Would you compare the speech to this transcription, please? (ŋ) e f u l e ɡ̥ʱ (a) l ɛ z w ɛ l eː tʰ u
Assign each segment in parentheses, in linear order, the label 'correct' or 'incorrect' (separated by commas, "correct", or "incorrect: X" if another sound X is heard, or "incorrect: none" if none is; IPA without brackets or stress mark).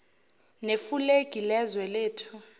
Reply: incorrect: n, incorrect: i